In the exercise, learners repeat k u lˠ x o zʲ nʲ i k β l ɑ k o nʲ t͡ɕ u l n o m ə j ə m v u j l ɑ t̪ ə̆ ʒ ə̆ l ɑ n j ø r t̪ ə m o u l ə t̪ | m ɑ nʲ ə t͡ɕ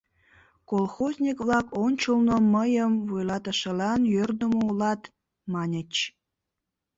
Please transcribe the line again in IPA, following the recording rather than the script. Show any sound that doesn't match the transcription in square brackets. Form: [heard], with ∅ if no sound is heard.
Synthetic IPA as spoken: k [o] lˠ x o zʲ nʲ i k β l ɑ k o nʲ t͡ɕ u l n o m ə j ə m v u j l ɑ t̪ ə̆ [ʃ] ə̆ l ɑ n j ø r [d̪] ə m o u l [ɑ] t̪ | m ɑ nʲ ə t͡ɕ